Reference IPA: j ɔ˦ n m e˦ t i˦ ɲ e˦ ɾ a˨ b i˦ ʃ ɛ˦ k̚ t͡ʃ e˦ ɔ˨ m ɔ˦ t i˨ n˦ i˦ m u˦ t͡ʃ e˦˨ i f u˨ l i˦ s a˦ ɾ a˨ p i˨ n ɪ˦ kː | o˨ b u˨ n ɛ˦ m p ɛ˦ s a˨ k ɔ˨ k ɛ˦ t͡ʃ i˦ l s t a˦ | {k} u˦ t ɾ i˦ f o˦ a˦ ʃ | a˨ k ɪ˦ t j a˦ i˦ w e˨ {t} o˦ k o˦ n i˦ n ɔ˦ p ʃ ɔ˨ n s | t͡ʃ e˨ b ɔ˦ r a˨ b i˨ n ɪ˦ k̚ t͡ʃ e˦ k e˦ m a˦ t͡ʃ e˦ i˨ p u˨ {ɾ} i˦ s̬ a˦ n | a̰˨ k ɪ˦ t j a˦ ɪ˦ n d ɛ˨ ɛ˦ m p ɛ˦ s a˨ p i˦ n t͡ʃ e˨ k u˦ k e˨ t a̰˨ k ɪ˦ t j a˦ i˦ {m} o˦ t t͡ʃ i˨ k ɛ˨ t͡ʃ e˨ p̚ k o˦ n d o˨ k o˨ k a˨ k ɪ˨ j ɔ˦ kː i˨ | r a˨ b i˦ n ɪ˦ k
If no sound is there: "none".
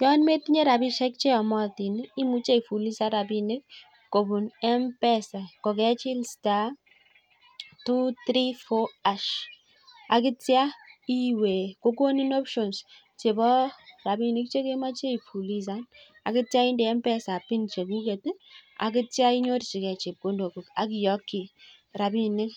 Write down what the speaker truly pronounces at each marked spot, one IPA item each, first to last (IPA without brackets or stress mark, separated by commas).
t, k, l, ɲ